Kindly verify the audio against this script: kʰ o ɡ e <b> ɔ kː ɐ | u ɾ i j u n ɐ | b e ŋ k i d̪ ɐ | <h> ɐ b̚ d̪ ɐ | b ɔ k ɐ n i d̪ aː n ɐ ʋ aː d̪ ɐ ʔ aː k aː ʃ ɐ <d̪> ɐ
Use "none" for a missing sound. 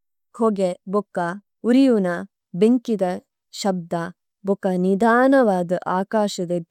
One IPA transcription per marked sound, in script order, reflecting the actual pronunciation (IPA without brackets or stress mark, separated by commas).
b, ʃ, d̪